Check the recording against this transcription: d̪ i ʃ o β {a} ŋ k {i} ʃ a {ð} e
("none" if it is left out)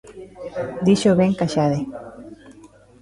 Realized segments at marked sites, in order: e, a, ð

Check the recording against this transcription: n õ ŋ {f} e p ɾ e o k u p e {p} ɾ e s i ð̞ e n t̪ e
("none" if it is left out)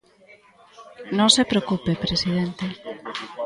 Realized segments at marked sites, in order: s, p

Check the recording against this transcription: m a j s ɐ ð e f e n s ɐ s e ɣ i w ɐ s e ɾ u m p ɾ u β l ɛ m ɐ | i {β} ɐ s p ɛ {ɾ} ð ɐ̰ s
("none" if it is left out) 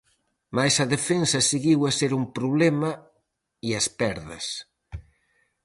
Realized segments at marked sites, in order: none, ɾ

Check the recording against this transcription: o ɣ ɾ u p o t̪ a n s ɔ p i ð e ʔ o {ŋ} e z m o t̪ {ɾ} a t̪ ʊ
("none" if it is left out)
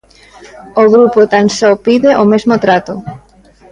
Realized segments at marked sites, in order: m, ɾ

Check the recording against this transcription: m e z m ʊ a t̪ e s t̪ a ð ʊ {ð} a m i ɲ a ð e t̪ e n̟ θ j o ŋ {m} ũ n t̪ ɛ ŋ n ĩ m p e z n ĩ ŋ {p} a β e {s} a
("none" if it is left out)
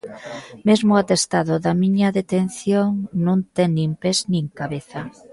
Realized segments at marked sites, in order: ð, n, k, θ

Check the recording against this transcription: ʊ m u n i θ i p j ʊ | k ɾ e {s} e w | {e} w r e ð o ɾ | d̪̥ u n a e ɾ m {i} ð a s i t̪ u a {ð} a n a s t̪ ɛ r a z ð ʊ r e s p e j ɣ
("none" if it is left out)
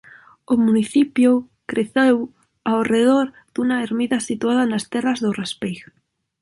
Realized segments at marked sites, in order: θ, a, i, ð

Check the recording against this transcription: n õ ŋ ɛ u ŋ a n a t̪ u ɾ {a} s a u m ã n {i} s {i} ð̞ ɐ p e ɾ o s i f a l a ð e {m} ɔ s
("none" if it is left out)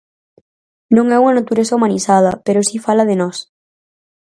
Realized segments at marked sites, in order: e, i, a, n

